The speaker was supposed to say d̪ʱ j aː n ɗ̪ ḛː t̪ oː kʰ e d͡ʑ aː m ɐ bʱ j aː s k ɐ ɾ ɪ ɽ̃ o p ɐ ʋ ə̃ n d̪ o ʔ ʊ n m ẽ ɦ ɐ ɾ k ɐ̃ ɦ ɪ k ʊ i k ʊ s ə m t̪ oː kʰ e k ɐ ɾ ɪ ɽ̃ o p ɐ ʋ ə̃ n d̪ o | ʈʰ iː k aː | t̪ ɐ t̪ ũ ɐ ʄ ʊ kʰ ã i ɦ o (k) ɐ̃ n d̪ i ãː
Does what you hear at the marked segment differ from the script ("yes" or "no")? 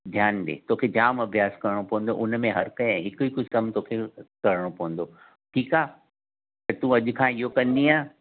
no